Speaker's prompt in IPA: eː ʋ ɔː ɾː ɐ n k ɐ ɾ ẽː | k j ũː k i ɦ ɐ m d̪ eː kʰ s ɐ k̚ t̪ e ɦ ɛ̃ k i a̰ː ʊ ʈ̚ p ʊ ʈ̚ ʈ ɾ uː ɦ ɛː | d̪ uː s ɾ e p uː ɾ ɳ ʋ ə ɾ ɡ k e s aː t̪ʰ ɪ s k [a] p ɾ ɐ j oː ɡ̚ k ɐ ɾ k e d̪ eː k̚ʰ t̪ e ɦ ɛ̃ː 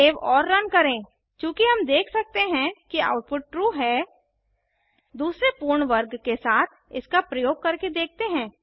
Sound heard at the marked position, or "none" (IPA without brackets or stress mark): a